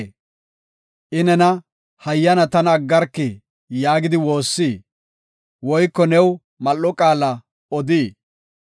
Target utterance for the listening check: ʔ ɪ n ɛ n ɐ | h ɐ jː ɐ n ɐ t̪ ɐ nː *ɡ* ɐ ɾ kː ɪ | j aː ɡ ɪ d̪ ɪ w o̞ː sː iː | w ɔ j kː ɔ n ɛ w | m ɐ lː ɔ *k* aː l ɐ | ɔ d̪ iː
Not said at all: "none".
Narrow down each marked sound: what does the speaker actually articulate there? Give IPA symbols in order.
ɡː, kʼ

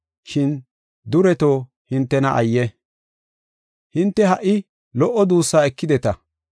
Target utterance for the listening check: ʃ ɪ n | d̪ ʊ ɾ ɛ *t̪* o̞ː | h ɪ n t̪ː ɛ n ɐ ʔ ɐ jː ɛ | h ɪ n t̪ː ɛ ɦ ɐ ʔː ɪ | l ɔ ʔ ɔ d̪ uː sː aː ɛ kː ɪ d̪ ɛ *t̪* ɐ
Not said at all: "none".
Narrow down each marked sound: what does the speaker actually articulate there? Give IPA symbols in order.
t̪, t̪

